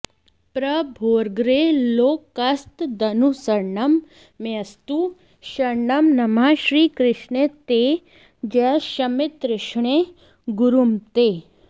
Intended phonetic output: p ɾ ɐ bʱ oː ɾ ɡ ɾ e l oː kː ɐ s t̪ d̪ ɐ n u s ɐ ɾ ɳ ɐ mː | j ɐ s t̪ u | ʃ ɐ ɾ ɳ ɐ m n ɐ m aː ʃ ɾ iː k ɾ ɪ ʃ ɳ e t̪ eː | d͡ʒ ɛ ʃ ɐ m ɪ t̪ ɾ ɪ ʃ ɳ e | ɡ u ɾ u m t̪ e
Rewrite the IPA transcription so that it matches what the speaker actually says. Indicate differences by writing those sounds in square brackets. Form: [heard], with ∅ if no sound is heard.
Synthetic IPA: p ɾ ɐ bʱ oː ɾ ɡ ɾ e l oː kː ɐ s t̪ d̪ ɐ n u s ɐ ɾ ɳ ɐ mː | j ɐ s t̪ u | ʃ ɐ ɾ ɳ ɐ m n ɐ m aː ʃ ɾ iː k ɾ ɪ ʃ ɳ e t̪ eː | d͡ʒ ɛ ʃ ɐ m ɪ t̪ ɾ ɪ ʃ ɳ e | ɡ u ɾ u m t̪ e